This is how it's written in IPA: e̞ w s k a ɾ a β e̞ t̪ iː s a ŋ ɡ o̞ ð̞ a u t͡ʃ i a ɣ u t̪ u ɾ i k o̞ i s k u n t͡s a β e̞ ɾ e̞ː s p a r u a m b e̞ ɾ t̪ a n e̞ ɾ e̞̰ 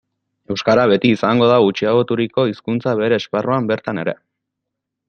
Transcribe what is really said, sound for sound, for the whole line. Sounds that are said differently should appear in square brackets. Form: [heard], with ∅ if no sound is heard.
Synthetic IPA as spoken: e̞ w s k a ɾ a β e̞ t̪ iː s a ŋ ɡ o̞ ð̞ a u t͡ʃ i a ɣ [o] t̪ u ɾ i k o̞ i s k u n t͡s a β e̞ ɾ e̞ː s p a r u a m b e̞ ɾ t̪ a n e̞ ɾ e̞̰